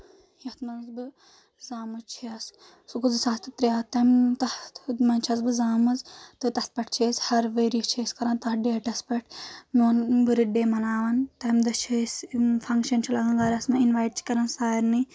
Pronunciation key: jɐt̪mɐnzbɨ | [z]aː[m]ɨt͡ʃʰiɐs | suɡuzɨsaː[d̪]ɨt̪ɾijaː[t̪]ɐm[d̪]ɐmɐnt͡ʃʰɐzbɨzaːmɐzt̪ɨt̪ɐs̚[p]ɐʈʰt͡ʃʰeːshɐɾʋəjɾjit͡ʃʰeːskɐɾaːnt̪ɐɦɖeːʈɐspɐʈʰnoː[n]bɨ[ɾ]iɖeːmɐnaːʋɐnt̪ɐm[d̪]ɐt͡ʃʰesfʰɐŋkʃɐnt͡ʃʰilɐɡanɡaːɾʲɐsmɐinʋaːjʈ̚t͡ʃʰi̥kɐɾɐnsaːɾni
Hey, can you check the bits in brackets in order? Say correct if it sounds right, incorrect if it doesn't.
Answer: correct, correct, incorrect: t̪, correct, incorrect: t̪, correct, correct, correct, correct

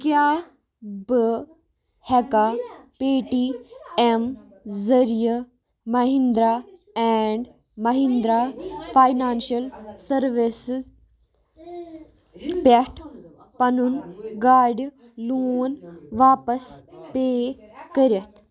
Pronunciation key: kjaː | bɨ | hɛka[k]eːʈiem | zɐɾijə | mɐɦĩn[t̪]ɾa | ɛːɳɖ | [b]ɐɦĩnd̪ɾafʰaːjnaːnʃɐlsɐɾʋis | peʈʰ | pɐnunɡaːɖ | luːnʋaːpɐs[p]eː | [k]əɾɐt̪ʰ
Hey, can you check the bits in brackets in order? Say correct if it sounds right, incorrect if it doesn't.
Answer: incorrect: p, incorrect: d̪, incorrect: m, correct, correct

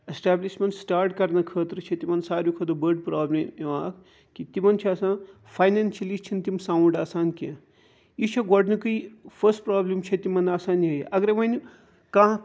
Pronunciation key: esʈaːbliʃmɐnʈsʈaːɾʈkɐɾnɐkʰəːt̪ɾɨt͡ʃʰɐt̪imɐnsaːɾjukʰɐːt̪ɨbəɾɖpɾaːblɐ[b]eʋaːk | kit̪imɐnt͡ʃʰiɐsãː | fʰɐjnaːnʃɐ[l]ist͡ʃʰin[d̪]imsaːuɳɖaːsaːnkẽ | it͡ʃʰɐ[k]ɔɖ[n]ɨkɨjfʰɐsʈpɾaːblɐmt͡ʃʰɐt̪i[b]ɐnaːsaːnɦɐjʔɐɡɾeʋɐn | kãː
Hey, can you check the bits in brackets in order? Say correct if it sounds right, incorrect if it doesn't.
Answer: incorrect: m, correct, incorrect: t̪, incorrect: ɡ, correct, incorrect: m

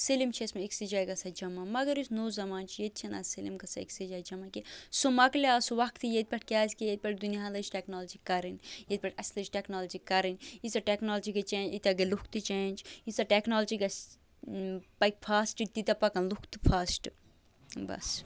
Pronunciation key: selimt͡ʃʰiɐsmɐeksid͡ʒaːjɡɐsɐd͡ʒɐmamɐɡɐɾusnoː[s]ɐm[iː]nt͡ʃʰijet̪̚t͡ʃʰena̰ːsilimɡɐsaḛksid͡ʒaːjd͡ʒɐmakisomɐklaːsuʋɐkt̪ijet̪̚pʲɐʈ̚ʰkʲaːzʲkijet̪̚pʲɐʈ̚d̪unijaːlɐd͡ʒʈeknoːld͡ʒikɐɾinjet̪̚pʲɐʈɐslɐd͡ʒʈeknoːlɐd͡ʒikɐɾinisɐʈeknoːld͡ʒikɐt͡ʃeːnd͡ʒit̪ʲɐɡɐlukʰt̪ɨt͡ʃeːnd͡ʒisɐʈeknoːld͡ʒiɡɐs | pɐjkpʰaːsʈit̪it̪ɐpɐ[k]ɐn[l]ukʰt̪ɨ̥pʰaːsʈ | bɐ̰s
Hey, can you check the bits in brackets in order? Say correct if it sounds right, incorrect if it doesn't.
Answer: incorrect: z, incorrect: aː, correct, correct

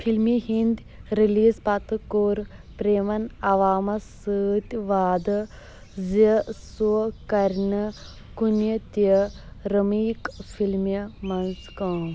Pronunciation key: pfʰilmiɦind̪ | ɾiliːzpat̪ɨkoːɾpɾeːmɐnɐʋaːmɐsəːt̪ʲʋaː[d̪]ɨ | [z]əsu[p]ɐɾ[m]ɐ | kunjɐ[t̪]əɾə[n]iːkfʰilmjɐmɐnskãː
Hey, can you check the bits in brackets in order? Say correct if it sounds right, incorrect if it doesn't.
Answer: correct, correct, incorrect: k, incorrect: n, correct, incorrect: m

